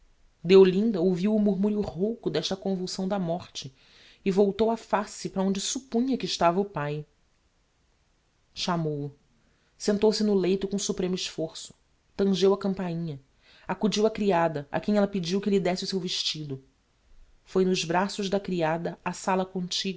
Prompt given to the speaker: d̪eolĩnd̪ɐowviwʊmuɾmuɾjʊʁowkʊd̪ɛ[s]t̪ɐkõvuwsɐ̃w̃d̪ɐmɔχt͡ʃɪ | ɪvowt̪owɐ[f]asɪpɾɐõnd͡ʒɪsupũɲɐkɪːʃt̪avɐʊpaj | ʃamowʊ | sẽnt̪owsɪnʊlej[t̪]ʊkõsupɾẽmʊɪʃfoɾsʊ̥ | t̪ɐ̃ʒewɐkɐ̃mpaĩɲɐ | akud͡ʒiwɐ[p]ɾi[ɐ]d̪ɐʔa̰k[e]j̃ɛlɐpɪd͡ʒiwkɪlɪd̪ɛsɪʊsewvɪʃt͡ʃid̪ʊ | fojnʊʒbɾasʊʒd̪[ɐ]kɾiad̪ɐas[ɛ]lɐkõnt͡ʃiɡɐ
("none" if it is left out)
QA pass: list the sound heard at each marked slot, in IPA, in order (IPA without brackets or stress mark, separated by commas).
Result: ʃ, f, t̪, k, a, ẽ, ɐ, a